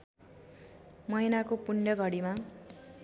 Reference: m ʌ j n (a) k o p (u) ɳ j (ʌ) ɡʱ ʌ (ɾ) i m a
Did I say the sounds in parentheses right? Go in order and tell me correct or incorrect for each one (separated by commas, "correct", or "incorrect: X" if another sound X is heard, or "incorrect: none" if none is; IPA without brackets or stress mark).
correct, correct, correct, incorrect: ɽ